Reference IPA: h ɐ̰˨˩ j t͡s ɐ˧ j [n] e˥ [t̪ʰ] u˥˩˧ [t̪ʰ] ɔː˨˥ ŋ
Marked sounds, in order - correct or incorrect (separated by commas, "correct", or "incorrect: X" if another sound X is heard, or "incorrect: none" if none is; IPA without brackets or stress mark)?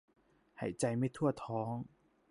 incorrect: m, correct, correct